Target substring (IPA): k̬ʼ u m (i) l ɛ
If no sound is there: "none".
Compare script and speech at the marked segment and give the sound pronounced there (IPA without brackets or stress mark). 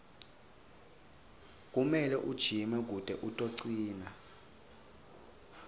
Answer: ɛ